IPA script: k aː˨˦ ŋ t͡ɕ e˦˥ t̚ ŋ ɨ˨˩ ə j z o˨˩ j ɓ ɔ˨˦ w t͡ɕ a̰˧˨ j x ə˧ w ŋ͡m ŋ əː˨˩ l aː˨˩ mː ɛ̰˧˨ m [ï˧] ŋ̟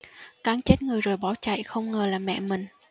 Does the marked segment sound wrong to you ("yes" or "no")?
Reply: yes